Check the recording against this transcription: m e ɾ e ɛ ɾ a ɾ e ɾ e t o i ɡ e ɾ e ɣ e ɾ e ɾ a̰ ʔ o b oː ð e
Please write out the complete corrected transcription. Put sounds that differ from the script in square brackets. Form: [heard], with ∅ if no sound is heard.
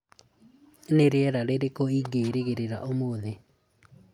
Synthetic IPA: [n] e ɾ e ɛ ɾ a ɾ e ɾ e [k] o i ɡ e ɾ e ɣ e ɾ e ɾ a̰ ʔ o [m] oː ð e